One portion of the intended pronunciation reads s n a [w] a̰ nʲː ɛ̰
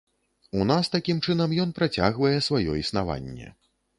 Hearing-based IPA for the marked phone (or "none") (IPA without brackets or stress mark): v